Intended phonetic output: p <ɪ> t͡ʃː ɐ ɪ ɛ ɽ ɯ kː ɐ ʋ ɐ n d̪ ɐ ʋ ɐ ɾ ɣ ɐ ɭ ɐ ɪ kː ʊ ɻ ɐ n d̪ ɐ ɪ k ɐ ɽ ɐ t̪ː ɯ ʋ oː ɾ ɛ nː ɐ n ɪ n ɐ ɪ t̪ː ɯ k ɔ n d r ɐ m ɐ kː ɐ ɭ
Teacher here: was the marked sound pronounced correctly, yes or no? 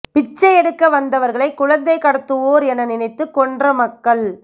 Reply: yes